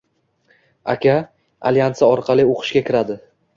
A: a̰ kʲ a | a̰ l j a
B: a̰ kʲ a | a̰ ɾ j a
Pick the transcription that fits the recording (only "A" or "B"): A